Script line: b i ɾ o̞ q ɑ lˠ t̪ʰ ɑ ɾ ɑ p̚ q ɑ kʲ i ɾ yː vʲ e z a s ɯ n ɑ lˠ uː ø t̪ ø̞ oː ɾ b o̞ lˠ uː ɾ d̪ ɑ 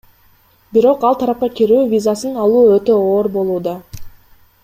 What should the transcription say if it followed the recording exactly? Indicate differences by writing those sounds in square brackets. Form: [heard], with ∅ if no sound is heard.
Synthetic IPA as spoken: b i ɾ o̞ q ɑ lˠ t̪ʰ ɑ ɾ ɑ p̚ q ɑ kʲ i ɾ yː vʲ [i] z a s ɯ n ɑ lˠ uː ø t̪ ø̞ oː ɾ b o̞ lˠ uː [∅] d̪ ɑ